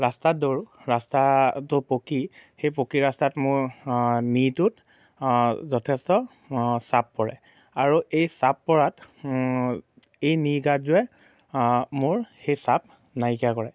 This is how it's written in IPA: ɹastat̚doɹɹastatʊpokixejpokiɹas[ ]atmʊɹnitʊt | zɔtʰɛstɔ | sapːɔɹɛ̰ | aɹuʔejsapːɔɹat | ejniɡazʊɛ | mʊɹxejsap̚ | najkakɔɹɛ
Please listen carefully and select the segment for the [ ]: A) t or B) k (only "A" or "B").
A